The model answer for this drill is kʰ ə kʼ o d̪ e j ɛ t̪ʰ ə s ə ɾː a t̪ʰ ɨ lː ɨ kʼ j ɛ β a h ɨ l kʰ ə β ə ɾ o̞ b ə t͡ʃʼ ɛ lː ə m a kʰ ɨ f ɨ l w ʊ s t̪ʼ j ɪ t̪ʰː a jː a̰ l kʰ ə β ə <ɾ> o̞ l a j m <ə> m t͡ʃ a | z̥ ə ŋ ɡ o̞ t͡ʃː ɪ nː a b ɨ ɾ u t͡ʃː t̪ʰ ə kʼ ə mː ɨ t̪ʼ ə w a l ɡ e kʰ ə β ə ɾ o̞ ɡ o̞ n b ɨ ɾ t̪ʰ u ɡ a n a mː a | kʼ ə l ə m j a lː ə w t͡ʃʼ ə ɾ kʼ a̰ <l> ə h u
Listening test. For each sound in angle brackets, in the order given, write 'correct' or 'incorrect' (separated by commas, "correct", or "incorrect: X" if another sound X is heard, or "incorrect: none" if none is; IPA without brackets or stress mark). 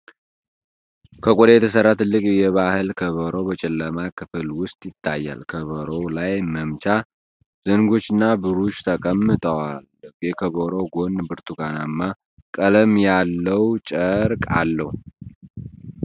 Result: correct, correct, incorrect: lː